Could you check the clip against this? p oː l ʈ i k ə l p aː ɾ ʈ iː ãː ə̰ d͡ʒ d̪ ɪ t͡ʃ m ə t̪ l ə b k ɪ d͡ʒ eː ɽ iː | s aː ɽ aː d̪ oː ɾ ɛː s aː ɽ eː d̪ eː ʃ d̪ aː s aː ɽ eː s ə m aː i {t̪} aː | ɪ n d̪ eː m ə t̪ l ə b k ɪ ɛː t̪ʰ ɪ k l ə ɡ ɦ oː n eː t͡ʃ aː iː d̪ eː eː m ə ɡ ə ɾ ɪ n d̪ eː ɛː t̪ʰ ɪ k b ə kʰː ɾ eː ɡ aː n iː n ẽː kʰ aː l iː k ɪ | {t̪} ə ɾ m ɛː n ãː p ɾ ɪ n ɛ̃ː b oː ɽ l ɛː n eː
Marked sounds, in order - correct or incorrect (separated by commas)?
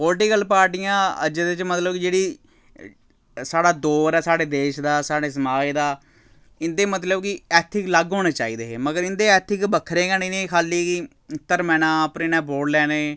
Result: incorrect, correct